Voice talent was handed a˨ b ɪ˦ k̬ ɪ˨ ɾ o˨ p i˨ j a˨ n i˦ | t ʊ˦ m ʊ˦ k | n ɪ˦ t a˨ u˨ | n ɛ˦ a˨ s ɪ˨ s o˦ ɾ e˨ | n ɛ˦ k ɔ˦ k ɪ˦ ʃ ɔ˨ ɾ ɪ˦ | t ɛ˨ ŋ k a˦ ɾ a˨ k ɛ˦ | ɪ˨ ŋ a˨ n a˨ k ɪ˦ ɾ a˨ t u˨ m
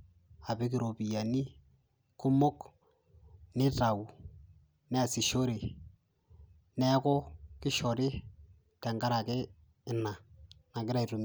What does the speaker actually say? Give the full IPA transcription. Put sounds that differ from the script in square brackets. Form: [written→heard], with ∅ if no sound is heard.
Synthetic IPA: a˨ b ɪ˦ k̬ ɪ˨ ɾ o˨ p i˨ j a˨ n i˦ | [t→k] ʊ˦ m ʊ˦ k | n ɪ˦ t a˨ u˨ | n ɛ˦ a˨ s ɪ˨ [s→ʃ] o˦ ɾ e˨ | n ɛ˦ k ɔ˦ k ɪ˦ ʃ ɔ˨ ɾ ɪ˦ | t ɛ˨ ŋ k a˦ ɾ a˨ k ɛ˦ | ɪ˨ [ŋ→n] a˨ n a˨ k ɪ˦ ɾ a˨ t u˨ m